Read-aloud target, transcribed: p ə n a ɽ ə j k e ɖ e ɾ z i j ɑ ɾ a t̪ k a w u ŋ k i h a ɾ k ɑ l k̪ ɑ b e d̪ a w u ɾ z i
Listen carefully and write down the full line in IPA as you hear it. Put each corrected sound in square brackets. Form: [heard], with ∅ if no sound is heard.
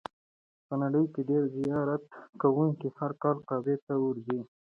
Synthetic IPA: p ə n a ɽ ə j k e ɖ e ɾ z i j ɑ ɾ a t̪ k a w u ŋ k i h a ɾ k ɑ l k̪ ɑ b e [t̪] a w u ɾ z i